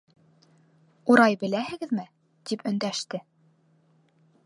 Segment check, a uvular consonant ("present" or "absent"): absent